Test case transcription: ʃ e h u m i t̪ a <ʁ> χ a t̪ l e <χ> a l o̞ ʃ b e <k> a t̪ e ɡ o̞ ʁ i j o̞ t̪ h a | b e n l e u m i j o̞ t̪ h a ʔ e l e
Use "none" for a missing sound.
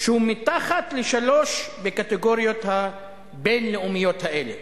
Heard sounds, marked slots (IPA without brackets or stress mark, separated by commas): none, ʃ, k